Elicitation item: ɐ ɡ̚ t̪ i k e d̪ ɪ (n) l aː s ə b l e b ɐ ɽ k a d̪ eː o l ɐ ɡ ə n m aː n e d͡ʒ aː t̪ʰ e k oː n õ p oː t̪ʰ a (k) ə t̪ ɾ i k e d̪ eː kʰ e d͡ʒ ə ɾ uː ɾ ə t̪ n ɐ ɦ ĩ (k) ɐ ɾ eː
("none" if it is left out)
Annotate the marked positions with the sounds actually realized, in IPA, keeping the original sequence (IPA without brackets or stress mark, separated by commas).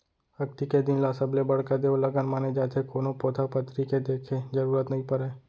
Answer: n, p, p